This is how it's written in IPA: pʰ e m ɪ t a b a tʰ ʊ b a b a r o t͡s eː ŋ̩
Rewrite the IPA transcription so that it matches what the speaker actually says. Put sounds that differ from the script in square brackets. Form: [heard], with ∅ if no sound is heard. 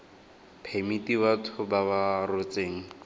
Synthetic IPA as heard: pʰ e m [i] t [i] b a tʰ ʊ b a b a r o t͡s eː ŋ̩